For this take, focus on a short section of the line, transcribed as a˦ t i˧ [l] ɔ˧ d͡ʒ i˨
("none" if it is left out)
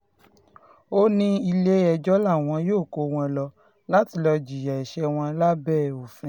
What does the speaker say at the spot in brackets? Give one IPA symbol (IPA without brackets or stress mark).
l